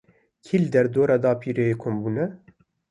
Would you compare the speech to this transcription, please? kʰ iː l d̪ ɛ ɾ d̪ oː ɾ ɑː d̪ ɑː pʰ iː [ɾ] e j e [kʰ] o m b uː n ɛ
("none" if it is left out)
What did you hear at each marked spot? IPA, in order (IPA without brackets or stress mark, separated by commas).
ɾ, kʰ